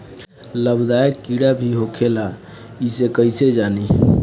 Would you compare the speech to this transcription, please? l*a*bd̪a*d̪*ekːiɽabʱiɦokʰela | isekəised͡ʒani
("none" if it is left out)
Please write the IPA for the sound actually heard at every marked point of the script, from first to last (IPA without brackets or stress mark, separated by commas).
ə, none